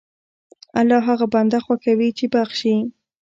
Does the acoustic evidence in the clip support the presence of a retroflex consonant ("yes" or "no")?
no